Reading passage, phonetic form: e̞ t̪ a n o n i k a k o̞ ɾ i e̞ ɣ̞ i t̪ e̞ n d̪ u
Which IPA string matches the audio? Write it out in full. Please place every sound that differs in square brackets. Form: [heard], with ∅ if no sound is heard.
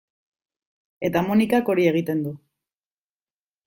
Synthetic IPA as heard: e̞ t̪ a [m] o n i k a k o̞ ɾ i e̞ ɣ̞ i t̪ e̞ n d̪ u